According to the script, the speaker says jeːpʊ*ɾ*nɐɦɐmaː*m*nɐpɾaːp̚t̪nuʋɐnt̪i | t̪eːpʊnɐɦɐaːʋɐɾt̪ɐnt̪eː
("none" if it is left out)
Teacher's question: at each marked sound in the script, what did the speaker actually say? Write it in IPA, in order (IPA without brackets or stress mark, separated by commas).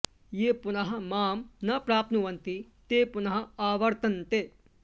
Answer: none, m